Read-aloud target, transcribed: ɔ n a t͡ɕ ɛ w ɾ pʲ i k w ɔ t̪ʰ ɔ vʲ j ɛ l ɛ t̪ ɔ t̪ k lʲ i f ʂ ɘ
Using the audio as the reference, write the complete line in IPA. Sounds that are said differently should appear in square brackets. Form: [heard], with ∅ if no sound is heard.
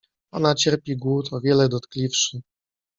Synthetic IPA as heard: ɔ n a t͡ɕ ɛ [∅] ɾ pʲ i [ɡ] w [u] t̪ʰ ɔ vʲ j ɛ l ɛ [d̪] ɔ t̪ k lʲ i f ʂ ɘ